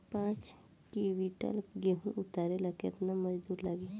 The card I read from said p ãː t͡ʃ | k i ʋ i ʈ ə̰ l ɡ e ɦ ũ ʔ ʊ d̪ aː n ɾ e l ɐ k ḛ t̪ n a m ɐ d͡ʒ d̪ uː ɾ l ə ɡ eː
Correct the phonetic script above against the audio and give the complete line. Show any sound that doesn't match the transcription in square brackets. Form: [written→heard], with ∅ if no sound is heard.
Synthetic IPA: p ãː t͡ʃ | k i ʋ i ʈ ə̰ l ɡ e ɦ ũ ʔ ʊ [d̪→t̪] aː [n→∅] ɾ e l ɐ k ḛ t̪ n a m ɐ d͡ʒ d̪ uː ɾ l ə ɡ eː

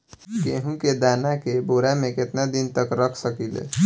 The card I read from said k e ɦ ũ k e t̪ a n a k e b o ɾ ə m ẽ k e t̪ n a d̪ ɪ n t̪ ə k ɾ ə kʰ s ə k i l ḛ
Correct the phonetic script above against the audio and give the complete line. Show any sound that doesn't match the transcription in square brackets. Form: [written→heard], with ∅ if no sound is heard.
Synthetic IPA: k e ɦ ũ k e [t̪→d̪] a n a k e b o ɾ [ə→a] m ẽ k e t̪ n a d̪ [ɪ→i] n t̪ ə k ɾ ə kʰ s ə k i l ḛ

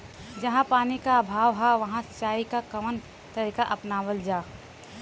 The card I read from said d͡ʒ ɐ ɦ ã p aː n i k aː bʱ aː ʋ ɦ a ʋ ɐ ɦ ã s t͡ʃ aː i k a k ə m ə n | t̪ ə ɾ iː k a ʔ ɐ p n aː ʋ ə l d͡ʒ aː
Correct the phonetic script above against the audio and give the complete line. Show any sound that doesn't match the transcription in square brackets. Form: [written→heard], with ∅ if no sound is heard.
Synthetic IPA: d͡ʒ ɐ ɦ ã p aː n i k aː bʱ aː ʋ ɦ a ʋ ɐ ɦ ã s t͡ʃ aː i k a k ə m ə n | t̪ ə ɾ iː k a ʔ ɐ p n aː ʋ ə l d͡ʒ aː

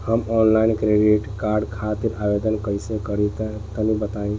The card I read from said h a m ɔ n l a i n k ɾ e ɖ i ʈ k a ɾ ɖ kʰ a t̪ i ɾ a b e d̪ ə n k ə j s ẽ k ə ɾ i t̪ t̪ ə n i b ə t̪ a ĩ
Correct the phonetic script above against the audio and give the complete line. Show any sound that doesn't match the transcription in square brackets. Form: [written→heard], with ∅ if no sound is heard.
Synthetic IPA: h [a→ə] m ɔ n l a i n k ɾ e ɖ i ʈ k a ɾ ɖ kʰ a t̪ i ɾ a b e d̪ ə n k ə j s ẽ k ə ɾ i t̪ t̪ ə n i b ə t̪ a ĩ

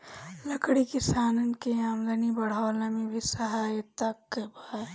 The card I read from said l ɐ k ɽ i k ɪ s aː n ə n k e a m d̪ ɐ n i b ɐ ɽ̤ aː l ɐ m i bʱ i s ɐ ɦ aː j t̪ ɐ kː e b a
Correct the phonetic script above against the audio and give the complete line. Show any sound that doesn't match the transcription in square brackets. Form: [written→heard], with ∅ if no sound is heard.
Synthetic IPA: l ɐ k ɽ i k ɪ s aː n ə n k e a m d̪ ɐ n i b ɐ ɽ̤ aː l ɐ m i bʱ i s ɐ ɦ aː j t̪ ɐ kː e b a

